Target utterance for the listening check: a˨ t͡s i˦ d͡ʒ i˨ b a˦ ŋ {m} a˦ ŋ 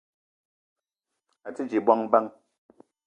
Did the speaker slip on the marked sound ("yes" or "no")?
yes